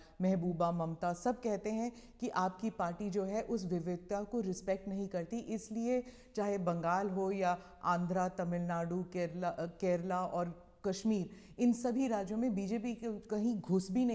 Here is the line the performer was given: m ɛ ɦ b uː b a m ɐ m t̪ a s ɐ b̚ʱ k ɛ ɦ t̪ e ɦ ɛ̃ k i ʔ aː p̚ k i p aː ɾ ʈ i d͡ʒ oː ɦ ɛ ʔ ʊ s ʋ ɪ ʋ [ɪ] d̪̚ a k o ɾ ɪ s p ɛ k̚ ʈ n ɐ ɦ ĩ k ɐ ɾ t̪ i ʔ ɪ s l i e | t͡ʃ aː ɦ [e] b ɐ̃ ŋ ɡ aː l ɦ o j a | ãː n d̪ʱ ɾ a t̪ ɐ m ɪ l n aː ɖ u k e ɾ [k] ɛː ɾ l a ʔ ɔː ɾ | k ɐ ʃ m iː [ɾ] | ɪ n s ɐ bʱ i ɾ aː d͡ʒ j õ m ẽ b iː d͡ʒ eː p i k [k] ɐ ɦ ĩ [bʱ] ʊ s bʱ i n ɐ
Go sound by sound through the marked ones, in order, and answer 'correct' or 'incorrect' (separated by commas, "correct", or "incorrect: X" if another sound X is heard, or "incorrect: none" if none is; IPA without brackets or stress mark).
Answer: correct, correct, correct, correct, correct, incorrect: ɡʱ